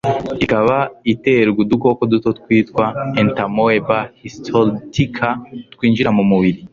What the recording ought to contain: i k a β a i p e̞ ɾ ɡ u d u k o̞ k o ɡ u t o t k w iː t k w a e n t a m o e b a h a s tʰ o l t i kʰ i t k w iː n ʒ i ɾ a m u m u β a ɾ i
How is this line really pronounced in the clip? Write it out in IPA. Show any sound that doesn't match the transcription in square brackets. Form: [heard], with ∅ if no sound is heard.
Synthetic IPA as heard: i k a β a i [t] e̞ ɾ ɡ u d u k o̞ k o [d] u t o t k w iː t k w a e n t a m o e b a h [i] s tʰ o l t i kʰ [a] t k w iː n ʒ i ɾ a m u m u β [i] ɾ i